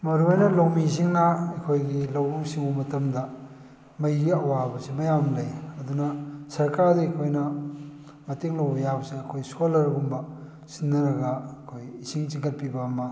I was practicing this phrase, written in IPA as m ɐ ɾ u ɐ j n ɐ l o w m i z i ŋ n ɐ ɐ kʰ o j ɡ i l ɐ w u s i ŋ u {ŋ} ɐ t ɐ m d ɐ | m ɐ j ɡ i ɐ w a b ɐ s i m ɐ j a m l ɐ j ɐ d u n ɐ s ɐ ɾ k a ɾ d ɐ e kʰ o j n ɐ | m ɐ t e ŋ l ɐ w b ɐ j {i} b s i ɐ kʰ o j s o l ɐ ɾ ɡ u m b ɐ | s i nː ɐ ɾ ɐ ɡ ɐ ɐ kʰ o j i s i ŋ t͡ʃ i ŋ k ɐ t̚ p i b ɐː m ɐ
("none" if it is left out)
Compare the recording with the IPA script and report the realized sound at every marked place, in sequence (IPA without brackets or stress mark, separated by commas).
m, a